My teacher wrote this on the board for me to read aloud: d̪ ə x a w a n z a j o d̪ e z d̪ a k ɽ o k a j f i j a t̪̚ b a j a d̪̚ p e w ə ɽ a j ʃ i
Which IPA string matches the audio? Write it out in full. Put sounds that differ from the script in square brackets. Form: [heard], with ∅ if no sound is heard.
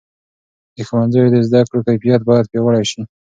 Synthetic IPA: d̪ ə x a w a n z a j o d̪ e z d̪ a k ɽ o k a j f i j a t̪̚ b [ɑ] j a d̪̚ p e w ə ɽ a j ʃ i

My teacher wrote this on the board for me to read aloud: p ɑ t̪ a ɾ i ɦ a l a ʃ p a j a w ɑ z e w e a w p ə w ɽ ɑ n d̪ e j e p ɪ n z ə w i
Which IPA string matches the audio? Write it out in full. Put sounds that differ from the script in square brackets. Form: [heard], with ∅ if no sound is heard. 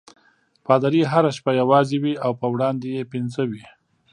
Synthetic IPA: p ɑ [d̪] a ɾ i ɦ a [ɾ] a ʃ p a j a w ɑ z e w [i] a w p ə w ɽ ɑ n d̪ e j e p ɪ n z ə w i

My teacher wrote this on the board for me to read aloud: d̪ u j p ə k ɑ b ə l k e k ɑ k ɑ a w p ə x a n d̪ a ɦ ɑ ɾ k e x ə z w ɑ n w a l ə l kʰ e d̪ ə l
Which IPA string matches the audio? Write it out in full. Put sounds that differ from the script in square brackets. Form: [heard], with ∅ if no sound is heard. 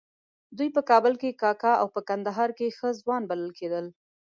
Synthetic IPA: d̪ u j p ə k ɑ b ə l k e k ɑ k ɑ a w p ə [k] a n d̪ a ɦ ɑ ɾ k e x ə z w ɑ n [b] a l ə l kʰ e d̪ ə l

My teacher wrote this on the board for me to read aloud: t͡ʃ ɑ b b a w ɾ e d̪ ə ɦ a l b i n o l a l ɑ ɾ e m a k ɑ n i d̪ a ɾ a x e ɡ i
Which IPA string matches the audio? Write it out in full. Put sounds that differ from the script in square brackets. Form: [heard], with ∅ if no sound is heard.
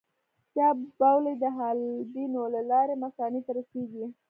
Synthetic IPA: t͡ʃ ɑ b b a w [l] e d̪ ə ɦ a l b i n o l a l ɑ ɾ e m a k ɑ n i [t̪] a ɾ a [s] e ɡ i

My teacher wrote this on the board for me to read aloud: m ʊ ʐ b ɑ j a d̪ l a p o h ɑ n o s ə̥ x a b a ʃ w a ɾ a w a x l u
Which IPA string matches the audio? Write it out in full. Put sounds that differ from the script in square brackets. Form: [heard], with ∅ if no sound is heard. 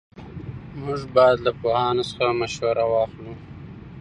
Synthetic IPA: m ʊ ʐ b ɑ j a d̪ l a p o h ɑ n o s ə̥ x a [m] a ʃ w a ɾ a w [ɑ] x l u

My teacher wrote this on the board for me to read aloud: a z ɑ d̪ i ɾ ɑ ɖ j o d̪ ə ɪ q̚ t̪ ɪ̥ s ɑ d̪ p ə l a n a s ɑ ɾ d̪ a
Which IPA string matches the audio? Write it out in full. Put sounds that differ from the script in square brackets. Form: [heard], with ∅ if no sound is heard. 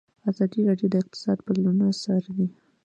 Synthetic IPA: a z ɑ d̪ i ɾ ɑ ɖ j o d̪ ə ɪ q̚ t̪ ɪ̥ s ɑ d̪ p ə l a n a s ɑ ɾ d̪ [i]

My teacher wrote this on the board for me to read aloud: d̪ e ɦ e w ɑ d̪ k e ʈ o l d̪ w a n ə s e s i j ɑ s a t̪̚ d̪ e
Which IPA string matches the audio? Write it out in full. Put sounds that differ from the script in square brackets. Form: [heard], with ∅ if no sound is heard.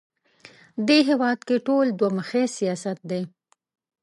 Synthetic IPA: d̪ e ɦ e w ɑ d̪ k e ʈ o l d̪ w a [m] ə [x] e s i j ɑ s a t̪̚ d̪ e

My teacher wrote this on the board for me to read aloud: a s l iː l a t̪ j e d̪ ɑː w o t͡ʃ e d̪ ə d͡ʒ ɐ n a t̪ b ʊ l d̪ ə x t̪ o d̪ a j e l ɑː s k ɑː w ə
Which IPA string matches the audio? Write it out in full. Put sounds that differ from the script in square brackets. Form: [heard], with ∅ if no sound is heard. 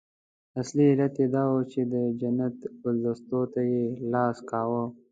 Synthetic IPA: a s l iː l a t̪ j e d̪ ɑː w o t͡ʃ e d̪ ə d͡ʒ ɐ n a t̪ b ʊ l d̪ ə [s] t̪ o [t̪] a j e l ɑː s k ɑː w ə

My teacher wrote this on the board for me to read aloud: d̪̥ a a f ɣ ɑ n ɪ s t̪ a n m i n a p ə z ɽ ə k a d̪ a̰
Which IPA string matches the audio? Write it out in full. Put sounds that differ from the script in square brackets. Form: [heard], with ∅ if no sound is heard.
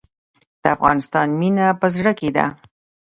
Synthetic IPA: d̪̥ [ə] a f ɣ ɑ n ɪ s t̪ [ɑ] n m i n a p ə z ɽ ə k [e] d̪ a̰

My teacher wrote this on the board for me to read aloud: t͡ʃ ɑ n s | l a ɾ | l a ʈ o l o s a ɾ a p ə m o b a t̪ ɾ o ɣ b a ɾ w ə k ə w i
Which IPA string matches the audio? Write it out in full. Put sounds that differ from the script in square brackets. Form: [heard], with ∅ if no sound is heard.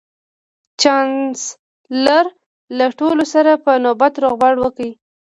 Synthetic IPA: t͡ʃ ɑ n s | l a ɾ | l a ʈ o l o s a ɾ a p ə [n] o b a t̪ ɾ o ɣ b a [ɽ] w ə k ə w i

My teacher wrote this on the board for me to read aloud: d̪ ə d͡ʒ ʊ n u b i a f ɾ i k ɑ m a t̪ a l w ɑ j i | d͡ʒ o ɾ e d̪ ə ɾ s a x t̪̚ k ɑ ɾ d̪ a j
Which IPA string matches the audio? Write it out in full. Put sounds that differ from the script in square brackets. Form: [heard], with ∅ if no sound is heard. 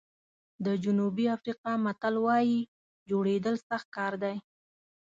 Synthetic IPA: d̪ ə d͡ʒ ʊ n u b i a f ɾ i [q] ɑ m a t̪ a l w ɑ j i | d͡ʒ o [ɽ] e d̪ ə [l] s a x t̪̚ k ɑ ɾ d̪ a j

